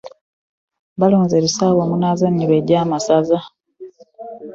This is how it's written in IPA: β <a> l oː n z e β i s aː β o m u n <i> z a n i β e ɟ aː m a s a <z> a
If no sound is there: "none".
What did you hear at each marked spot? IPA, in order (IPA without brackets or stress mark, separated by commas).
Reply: a, a, z